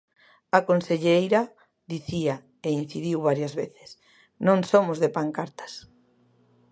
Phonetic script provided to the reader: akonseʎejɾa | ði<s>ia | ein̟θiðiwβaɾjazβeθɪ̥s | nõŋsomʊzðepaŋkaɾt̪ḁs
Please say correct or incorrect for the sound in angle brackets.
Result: incorrect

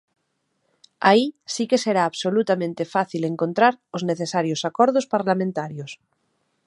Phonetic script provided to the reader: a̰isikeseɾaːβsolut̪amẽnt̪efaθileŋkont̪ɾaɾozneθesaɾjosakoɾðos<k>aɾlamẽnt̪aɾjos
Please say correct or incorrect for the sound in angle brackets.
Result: incorrect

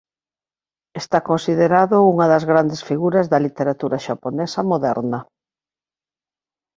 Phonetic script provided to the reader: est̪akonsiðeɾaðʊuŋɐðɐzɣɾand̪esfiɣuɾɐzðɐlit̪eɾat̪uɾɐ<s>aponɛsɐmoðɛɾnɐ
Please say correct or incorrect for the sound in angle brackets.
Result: incorrect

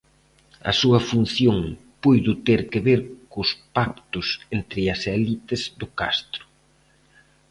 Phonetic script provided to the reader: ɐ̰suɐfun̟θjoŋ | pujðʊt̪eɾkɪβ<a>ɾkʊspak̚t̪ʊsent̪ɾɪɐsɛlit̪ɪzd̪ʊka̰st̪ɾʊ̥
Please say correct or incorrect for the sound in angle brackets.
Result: incorrect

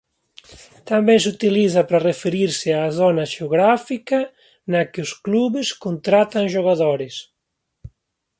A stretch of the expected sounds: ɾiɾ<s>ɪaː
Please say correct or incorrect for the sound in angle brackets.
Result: correct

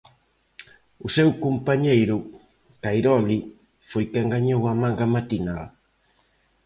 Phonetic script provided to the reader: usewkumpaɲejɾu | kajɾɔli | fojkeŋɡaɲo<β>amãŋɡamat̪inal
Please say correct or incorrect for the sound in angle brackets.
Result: incorrect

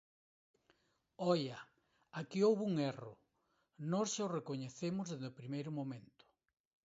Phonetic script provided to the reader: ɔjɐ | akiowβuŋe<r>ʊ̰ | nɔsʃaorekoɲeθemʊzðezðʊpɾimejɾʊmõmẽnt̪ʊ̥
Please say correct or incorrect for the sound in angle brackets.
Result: correct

